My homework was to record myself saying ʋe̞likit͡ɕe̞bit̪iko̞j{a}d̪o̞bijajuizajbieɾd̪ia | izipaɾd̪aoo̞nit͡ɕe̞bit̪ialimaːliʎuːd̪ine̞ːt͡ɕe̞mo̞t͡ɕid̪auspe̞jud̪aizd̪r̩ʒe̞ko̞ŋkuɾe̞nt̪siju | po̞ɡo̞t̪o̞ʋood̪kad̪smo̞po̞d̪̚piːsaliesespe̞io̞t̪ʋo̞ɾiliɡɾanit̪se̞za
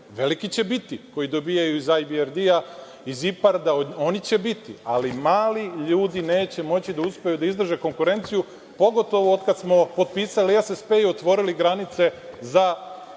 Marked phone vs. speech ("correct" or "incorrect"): incorrect